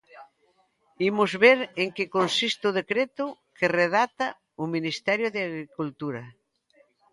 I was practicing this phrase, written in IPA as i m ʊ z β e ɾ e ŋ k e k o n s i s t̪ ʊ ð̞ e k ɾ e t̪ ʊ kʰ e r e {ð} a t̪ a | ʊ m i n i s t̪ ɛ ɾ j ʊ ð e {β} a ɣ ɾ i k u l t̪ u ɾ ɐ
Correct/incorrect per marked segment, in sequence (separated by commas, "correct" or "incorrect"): correct, incorrect